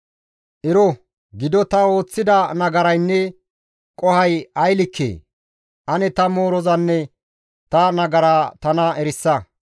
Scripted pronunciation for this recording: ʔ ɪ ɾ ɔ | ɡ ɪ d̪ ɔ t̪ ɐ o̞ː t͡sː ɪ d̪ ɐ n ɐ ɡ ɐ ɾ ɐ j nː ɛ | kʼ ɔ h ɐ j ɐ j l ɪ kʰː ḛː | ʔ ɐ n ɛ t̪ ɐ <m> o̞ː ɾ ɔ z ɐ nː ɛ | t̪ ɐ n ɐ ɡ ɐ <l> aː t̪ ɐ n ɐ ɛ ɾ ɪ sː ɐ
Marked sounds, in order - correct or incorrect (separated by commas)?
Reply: correct, incorrect